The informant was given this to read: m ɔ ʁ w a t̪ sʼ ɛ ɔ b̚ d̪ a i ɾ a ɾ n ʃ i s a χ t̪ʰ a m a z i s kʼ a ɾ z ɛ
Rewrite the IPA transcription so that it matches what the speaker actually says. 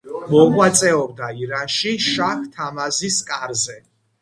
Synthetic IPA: m ɔ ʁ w a t̪ sʼ ɛ ɔ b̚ d̪ a i ɾ a n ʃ i ʃ a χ t̪ʰ a m a z i s kʼ a ɾ z ɛ